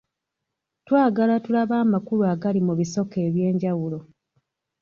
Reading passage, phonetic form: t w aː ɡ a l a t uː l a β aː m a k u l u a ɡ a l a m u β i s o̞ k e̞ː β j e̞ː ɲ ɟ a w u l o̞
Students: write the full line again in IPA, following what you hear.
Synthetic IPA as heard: t w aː ɡ a l a t u l a β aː m a k u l u a ɡ a l i m u β i s o̞ k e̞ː β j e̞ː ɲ ɟ a w u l o̞